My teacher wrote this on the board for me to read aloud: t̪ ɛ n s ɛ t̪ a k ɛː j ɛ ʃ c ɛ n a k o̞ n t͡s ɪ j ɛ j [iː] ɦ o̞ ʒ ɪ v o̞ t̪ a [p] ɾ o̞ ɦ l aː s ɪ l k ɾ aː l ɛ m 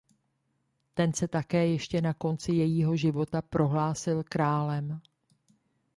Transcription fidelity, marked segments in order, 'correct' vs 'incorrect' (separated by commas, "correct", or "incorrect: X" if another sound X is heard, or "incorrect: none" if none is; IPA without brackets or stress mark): correct, correct